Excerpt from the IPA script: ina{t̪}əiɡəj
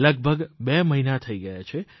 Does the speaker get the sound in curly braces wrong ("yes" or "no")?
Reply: yes